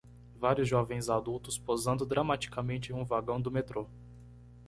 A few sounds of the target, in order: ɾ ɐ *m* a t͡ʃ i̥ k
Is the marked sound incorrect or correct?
correct